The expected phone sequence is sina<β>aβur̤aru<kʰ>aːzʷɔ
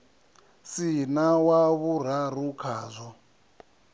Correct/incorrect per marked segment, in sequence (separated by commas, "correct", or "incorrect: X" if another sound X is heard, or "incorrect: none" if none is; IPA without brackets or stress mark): incorrect: w, correct